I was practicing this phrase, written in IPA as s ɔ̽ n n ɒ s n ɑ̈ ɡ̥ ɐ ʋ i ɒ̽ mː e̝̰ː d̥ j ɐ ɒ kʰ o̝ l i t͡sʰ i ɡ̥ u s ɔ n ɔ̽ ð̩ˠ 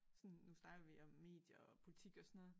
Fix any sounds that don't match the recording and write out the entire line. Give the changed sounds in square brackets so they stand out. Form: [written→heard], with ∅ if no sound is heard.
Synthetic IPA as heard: s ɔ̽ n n [ɒ→u] s n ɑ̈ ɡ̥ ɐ ʋ i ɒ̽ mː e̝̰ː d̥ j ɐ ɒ [kʰ→pʰ] o̝ l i t͡sʰ i ɡ̥ [u→ɒ] s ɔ n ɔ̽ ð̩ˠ

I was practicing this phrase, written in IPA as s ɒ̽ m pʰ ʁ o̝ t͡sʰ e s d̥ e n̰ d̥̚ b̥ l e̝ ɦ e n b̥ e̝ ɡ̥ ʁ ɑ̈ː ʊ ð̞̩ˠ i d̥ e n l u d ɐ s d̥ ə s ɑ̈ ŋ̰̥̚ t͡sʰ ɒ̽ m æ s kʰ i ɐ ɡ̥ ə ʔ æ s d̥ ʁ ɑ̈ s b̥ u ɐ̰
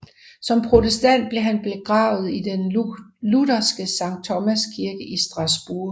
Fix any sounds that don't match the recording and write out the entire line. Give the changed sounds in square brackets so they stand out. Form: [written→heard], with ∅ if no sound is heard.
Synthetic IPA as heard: s ɒ̽ m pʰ ʁ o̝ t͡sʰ e s d̥ [e→æ] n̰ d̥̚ b̥ l e̝ ɦ [e→æ] n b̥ e̝ ɡ̥ ʁ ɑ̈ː ʊ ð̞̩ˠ i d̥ e n l u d ɐ s [d̥→ɡ̥] ə s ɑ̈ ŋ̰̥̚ t͡sʰ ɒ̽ m æ s kʰ i ɐ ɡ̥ ə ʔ [æ→i] s d̥ ʁ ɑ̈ s b̥ u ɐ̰

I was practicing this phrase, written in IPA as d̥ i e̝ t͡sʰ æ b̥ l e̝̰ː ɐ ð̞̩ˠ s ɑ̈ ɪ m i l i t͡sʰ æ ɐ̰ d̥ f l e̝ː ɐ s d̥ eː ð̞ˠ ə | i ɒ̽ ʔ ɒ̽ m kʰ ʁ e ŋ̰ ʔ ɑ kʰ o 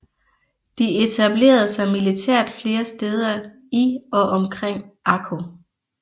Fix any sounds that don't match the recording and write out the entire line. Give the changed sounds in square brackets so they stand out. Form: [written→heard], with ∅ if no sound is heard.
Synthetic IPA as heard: d̥ i e̝ t͡sʰ æ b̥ l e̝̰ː ɐ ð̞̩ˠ s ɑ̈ ɪ m i l i t͡sʰ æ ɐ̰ d̥ f l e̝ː ɐ s d̥ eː ð̞ˠ [ə→ɐ] | i ɒ̽ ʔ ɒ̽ m kʰ ʁ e ŋ̰ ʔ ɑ kʰ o

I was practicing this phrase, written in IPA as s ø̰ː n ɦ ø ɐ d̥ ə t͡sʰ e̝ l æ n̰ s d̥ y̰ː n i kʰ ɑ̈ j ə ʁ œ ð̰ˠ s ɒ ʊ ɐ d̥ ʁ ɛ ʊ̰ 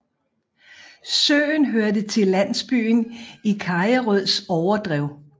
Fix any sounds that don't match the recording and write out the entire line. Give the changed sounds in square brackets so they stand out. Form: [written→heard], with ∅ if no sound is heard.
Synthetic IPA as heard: s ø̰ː n ɦ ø ɐ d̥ ə t͡sʰ e̝ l æ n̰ s [d̥→b̥] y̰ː n i kʰ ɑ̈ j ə ʁ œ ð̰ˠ s ɒ ʊ ɐ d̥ ʁ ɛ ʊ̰

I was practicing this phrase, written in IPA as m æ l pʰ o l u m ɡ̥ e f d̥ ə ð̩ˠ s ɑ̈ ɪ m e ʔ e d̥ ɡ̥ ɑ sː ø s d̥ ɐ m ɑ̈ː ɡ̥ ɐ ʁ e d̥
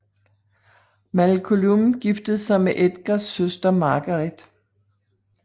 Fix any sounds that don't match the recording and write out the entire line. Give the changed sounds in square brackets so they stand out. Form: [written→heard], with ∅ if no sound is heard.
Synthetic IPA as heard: m æ l [pʰ→kʰ] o l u m ɡ̥ [e→i] f d̥ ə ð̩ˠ s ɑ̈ ɪ m e ʔ e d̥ ɡ̥ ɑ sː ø s d̥ ɐ m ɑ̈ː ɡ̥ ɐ ʁ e d̥

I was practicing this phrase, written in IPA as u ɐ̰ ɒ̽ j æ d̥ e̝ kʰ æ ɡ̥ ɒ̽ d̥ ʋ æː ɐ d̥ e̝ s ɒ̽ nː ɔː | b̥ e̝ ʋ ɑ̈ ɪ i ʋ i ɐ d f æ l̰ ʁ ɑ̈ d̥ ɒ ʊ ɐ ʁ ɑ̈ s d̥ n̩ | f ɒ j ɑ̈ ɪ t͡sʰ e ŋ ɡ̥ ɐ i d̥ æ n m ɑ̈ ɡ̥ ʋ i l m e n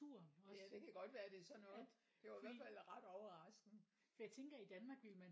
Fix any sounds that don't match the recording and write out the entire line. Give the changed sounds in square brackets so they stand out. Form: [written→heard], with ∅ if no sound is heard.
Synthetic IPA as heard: u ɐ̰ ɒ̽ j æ d̥ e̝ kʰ æ ɡ̥ ɒ̽ d̥ ʋ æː ɐ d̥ e̝ s ɒ̽ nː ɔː | [b̥→d̥] e̝ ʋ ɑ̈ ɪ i ʋ [i→æ] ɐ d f æ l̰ ʁ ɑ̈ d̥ ɒ ʊ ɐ ʁ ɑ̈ s [d̥→ɡ̥] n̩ | f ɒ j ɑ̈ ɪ t͡sʰ e ŋ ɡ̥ ɐ i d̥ æ n m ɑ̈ ɡ̥ ʋ i l m [e→æ] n

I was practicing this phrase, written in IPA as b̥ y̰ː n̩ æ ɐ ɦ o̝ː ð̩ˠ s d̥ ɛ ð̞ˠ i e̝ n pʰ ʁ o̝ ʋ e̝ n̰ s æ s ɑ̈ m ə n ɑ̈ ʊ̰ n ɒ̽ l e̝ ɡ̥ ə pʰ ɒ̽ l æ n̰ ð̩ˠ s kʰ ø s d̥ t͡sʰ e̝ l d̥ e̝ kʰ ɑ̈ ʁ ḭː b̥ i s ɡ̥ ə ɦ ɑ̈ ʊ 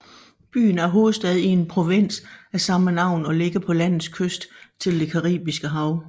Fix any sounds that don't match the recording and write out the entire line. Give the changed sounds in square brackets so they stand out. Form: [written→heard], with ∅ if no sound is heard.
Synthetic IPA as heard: b̥ y̰ː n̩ æ ɐ ɦ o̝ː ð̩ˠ s d̥ ɛ ð̞ˠ i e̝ n pʰ ʁ o̝ ʋ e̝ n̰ s æ s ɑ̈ m ə n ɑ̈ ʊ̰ n ɒ̽ l e̝ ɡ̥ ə pʰ ɒ̽ l æ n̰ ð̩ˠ s kʰ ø s d̥ t͡sʰ e̝ l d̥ e̝ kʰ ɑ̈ ʁ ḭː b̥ i s ɡ̥ ə ɦ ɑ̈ ʊ

